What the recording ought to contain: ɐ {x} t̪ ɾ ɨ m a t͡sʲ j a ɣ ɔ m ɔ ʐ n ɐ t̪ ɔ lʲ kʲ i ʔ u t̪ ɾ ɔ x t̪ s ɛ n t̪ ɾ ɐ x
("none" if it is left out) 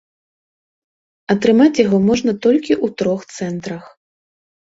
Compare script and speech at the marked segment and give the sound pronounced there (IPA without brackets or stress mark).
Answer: none